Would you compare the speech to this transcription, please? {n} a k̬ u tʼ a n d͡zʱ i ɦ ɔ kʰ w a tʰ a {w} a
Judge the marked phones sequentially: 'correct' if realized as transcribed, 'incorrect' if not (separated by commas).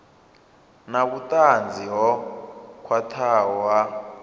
correct, correct